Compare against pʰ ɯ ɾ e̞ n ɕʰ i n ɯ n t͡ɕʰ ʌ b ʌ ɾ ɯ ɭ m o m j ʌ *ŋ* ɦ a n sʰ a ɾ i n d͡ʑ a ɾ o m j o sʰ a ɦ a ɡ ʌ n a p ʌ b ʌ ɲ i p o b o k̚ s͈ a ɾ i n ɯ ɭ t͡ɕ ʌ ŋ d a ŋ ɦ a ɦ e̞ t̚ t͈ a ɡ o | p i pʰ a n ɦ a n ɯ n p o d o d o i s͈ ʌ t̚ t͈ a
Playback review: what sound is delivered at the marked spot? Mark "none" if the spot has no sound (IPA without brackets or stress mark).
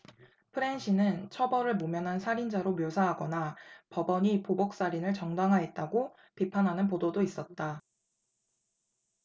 n